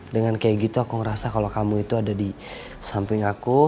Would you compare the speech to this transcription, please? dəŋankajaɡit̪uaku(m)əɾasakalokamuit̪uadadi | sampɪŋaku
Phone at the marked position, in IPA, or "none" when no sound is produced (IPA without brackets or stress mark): ŋ